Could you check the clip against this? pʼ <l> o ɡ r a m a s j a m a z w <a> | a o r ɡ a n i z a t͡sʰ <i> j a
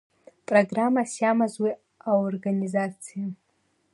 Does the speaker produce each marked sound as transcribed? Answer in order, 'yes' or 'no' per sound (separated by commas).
no, no, yes